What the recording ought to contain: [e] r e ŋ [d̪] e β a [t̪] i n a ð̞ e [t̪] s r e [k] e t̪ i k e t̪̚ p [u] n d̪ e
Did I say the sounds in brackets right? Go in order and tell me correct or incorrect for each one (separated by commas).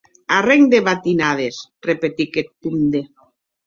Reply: incorrect, correct, correct, incorrect, incorrect, correct